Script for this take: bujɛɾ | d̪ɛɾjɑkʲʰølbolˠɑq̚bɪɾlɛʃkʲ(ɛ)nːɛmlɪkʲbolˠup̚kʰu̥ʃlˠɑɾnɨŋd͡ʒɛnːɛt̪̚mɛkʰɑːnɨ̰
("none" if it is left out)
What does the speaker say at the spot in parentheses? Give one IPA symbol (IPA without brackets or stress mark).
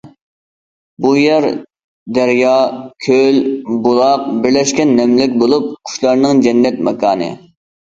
ɛ